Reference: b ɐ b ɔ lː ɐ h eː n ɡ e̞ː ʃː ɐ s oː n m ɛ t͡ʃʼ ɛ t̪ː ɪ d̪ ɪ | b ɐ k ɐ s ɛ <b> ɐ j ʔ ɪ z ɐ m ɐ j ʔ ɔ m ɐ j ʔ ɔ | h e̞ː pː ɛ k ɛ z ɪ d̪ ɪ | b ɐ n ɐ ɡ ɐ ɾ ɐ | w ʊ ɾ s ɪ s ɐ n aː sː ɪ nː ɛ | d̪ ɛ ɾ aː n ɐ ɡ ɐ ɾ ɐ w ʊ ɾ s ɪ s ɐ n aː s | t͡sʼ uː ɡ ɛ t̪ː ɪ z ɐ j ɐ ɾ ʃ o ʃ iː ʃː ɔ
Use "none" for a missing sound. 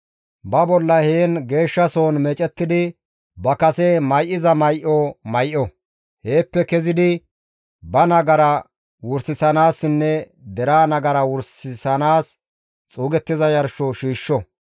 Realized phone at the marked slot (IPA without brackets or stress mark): m